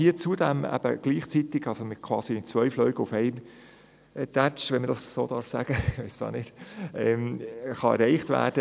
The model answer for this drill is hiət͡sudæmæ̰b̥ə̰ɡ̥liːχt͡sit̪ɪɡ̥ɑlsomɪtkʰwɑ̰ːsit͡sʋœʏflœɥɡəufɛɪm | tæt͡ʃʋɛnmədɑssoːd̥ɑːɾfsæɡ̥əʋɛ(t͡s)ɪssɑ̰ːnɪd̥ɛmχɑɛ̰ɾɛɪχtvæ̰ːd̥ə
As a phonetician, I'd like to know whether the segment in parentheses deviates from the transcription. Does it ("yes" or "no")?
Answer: yes